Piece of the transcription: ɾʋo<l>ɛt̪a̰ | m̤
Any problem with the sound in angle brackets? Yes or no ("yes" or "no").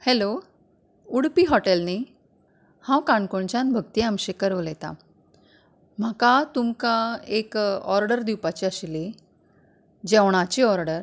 no